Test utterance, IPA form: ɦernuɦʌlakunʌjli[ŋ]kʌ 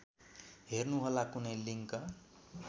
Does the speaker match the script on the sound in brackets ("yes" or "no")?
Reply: yes